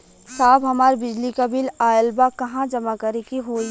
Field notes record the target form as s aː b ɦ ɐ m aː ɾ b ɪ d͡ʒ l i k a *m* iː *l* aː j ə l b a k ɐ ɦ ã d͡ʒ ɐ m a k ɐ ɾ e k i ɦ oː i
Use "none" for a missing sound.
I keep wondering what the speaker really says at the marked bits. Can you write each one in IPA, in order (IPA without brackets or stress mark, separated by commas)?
b, l